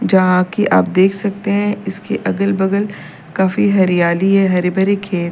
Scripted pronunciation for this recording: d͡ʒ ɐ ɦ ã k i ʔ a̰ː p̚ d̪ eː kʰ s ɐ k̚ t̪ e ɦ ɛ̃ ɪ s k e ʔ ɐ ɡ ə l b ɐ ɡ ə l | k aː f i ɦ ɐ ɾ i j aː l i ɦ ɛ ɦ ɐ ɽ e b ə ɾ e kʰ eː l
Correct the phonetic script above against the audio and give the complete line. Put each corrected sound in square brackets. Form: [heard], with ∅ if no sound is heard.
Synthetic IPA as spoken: d͡ʒ ɐ ɦ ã k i ʔ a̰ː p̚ d̪ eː kʰ s ɐ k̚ t̪ e ɦ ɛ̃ ɪ s k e ʔ ɐ ɡ ə l b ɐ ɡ ə l | k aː f i ɦ ɐ ɾ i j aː l i ɦ ɛ ɦ ɐ [ɾ] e b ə ɾ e kʰ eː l